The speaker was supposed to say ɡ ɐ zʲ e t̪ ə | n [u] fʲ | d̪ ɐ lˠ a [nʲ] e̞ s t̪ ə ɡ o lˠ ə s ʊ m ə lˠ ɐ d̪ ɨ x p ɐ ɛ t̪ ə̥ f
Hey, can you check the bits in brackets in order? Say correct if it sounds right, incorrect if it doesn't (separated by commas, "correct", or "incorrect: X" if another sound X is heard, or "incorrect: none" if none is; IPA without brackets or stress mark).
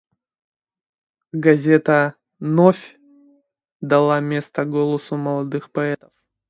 incorrect: o, incorrect: mʲ